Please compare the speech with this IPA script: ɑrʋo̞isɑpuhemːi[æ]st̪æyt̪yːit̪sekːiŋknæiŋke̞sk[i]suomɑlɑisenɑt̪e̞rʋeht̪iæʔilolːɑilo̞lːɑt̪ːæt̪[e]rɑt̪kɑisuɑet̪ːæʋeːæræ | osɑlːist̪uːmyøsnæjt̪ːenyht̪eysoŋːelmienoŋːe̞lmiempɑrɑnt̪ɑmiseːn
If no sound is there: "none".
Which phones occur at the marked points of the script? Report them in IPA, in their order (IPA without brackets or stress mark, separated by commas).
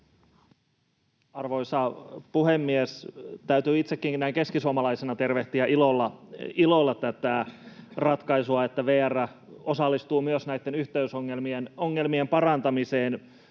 e, i, æ